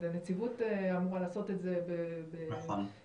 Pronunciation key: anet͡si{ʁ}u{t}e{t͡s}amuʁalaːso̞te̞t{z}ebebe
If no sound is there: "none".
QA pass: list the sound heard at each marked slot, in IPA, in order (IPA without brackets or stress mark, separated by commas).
v, t, none, z